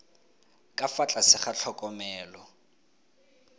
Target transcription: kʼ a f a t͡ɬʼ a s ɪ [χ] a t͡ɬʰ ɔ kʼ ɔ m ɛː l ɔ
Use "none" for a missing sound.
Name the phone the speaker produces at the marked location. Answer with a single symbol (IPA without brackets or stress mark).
χ